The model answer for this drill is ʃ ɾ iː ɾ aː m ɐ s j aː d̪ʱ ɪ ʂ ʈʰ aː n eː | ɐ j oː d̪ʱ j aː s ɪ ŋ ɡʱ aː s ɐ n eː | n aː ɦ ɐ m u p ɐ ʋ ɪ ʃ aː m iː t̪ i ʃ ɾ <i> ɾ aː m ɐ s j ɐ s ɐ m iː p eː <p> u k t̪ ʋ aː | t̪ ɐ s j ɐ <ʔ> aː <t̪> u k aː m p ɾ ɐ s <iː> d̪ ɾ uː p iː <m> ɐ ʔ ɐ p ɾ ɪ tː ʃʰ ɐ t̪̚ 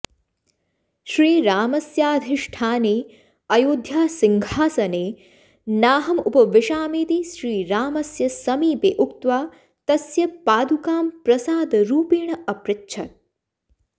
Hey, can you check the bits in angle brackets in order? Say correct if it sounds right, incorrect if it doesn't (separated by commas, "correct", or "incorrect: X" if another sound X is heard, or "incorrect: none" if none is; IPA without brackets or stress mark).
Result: incorrect: iː, incorrect: ʔ, incorrect: p, incorrect: d̪, incorrect: aː, incorrect: ɳ